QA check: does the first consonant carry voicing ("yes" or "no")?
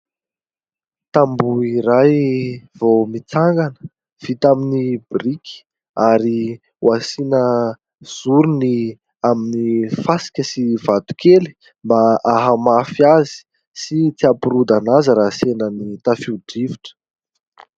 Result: no